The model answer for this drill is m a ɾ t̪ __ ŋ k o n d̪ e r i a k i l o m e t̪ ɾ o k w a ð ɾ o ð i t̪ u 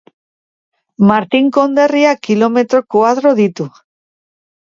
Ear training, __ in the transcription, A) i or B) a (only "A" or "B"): A